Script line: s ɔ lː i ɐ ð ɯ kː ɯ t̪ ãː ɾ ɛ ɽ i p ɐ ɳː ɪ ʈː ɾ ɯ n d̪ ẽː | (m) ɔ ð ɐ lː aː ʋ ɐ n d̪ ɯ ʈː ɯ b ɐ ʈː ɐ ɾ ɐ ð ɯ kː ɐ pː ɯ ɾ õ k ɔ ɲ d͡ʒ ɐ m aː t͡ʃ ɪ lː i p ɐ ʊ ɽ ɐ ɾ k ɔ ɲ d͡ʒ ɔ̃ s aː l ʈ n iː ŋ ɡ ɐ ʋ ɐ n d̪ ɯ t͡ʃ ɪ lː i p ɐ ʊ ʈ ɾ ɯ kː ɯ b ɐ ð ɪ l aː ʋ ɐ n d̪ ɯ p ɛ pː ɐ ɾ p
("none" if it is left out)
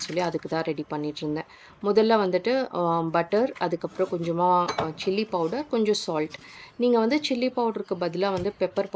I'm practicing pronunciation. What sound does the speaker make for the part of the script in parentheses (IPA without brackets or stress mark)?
m